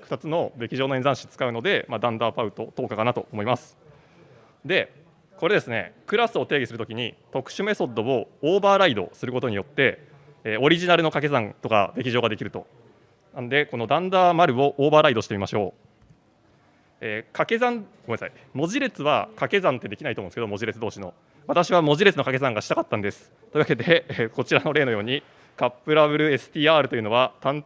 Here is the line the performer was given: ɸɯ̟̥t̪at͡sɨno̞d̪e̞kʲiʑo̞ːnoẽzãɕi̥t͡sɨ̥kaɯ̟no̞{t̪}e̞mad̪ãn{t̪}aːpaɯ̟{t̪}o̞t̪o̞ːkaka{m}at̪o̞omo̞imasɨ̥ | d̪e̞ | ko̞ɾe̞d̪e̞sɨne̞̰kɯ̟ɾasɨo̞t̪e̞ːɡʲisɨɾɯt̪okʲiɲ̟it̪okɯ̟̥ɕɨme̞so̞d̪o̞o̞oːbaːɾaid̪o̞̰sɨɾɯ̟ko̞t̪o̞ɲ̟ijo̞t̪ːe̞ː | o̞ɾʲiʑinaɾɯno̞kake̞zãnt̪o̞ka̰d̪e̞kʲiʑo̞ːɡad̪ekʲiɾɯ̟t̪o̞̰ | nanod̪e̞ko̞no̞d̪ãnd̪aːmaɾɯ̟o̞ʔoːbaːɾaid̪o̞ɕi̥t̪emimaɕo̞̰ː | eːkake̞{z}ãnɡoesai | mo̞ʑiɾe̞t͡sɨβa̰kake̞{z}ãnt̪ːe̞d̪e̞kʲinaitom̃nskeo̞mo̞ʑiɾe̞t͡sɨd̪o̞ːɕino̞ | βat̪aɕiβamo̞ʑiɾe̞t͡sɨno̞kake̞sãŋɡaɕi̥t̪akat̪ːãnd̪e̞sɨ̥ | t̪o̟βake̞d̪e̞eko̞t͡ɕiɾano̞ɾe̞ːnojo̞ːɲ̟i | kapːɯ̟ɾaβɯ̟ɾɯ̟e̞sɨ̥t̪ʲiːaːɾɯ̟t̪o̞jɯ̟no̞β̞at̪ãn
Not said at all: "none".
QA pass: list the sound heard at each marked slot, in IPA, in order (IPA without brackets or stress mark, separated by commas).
d̪, d̪, t̪, n, z, z